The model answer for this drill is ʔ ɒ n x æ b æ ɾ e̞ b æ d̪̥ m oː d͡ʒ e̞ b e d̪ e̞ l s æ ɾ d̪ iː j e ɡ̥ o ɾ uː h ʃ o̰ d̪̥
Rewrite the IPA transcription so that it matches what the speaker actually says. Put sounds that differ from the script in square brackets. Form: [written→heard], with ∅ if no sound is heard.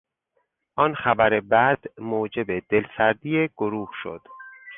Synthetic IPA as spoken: ʔ ɒ n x æ b æ ɾ e̞ b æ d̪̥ m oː d͡ʒ e̞ b e d̪ e̞ l s æ ɾ d̪ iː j e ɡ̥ o ɾ uː h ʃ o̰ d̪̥